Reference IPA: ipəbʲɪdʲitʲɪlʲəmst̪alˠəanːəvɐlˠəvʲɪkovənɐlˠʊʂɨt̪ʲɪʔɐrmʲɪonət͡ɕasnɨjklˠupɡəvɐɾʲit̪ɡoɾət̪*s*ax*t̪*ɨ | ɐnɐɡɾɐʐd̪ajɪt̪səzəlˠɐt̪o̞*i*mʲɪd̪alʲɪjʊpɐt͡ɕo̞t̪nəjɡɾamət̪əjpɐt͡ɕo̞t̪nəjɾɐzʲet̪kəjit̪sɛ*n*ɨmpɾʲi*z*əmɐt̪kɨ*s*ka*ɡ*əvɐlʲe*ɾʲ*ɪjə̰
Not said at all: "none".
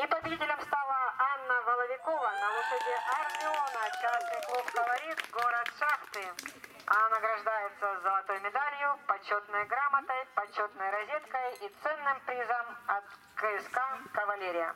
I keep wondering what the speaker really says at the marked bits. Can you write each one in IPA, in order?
ʂ, t̪, j, nː, z, s, k, ɾʲ

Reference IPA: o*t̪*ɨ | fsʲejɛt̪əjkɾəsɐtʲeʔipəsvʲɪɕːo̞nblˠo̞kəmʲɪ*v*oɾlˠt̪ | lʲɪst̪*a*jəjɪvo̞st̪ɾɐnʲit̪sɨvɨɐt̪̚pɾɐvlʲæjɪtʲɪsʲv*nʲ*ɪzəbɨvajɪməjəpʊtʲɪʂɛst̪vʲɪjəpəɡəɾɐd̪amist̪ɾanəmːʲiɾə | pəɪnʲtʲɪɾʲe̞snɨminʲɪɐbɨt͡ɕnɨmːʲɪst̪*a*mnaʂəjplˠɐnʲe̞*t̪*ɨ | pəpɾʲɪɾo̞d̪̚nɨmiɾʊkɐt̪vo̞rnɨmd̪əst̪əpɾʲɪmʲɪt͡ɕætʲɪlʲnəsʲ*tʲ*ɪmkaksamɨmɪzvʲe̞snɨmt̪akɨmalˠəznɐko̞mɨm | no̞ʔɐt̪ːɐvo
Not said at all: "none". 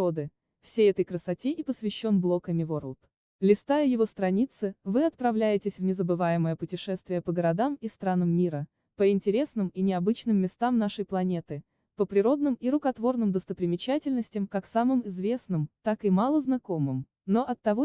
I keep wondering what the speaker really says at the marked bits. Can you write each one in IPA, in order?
d̪, v, a, nʲ, a, t̪, tʲ

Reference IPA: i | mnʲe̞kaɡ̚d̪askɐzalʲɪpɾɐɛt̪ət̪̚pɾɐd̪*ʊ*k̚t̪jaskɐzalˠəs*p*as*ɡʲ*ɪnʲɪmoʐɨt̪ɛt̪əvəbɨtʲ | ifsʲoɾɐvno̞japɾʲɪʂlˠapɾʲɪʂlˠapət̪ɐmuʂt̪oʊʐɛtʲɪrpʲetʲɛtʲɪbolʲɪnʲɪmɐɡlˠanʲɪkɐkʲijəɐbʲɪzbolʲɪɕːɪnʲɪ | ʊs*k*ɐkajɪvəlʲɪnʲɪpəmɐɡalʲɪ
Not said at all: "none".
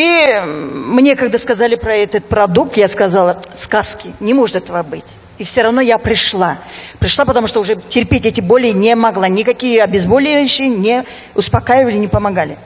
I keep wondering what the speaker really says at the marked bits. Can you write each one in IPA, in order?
u, k, kʲ, p

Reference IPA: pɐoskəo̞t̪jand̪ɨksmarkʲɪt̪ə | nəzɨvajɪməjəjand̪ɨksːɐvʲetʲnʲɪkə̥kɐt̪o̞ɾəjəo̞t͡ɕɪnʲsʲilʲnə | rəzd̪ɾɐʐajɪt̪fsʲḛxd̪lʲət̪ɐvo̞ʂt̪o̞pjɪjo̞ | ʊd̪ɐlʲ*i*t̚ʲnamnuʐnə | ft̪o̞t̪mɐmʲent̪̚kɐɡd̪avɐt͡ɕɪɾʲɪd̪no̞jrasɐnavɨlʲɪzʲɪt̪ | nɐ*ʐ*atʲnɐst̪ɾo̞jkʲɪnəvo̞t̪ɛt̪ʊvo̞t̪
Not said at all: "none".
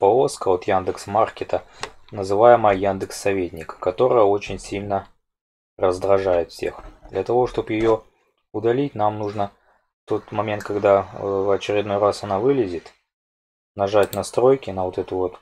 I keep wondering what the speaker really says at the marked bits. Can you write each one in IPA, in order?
i, ʐ

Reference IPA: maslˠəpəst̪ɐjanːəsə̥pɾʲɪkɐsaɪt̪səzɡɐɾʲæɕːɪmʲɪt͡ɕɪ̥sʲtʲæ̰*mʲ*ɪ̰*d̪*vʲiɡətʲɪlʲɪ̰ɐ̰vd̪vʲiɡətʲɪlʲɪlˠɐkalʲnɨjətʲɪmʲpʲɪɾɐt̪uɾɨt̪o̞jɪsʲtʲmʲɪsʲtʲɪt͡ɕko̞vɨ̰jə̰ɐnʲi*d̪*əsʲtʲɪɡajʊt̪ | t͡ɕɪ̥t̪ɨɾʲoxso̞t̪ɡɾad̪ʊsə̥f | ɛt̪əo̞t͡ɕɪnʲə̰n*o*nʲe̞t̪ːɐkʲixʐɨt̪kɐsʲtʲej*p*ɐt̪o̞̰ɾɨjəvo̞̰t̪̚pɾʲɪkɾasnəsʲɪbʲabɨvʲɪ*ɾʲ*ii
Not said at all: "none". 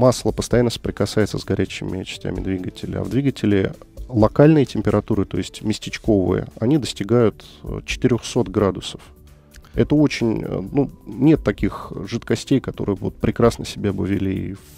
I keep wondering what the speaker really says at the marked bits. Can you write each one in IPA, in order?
mʲ, d̪, d̪, u, k, lʲ

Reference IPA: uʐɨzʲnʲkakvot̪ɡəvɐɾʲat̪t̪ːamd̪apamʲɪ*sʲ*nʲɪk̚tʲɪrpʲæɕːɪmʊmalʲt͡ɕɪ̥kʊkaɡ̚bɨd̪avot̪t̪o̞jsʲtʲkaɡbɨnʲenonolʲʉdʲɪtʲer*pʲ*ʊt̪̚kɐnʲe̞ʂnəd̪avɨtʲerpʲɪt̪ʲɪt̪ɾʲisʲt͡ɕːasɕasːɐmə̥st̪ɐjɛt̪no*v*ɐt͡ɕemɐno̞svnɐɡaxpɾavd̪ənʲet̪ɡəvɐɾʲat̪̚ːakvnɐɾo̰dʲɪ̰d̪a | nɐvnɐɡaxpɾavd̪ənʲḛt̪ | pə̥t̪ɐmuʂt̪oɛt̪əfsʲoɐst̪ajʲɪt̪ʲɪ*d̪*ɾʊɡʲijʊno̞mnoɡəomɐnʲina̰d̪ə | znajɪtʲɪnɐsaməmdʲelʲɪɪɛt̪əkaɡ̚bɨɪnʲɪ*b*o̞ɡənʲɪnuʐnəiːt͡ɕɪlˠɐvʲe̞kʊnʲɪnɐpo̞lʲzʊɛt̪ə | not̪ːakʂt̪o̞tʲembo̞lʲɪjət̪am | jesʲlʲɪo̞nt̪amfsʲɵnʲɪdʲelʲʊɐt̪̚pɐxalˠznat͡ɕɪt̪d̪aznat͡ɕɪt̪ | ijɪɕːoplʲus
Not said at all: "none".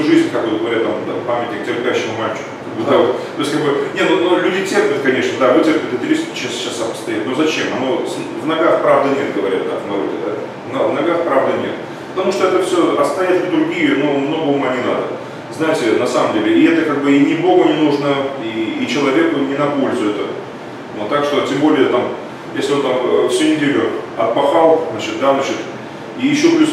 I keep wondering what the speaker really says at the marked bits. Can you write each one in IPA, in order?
tʲ, pʲ, z, d̪, b

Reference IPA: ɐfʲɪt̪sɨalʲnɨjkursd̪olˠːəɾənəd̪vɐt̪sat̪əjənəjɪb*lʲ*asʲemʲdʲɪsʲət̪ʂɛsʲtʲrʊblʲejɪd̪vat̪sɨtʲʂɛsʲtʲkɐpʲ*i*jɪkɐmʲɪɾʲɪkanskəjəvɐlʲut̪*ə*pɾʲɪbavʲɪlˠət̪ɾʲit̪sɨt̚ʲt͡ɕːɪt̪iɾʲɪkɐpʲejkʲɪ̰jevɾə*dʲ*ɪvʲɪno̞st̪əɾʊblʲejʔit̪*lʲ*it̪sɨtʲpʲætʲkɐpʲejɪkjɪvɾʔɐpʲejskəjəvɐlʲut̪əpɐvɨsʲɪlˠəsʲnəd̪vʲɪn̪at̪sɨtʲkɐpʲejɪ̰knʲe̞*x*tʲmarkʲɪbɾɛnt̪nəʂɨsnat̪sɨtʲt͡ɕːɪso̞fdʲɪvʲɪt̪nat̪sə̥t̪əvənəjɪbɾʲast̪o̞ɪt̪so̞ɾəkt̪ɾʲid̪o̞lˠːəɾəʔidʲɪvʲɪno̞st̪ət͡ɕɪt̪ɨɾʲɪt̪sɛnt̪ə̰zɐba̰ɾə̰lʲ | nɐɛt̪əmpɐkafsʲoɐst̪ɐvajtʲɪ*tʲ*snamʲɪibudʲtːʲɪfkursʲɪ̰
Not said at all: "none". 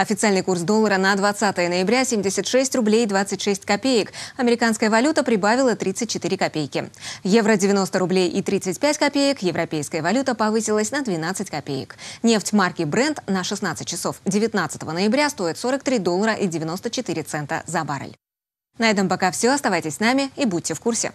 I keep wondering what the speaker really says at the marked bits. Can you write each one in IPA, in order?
ɾʲ, e, ə, dʲ, ɾʲ, f, sʲ

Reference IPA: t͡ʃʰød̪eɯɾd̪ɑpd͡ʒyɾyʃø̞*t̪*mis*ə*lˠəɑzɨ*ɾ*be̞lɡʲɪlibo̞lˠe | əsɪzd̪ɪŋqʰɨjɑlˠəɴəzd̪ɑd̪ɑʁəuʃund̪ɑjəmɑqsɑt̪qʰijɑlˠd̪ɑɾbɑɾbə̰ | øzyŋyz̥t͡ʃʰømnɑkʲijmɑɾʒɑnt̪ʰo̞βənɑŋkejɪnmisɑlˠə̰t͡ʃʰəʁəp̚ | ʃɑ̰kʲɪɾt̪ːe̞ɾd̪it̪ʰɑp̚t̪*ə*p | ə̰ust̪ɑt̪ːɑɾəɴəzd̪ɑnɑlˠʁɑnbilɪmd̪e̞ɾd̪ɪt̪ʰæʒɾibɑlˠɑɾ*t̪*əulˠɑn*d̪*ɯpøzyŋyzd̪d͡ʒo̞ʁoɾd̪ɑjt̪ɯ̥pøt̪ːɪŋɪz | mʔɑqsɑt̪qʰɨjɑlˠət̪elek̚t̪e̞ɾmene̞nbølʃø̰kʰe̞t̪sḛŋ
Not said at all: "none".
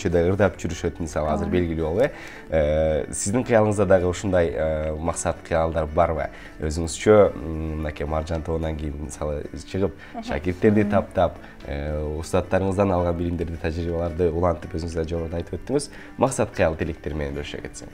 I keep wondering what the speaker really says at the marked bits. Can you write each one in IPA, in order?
t̪, ɑ, ɾ, ɑ, d̪, t̪

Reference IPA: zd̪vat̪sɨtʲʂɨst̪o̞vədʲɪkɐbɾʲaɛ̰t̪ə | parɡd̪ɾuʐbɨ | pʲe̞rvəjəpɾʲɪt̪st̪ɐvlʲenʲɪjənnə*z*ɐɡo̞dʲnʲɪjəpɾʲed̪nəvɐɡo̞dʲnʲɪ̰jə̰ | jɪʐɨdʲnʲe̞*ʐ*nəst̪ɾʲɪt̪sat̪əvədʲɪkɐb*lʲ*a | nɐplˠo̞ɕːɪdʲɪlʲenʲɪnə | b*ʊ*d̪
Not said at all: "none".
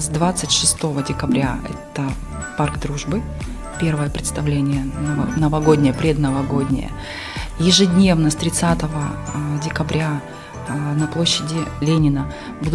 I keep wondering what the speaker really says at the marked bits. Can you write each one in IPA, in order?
v, v, ɾʲ, u

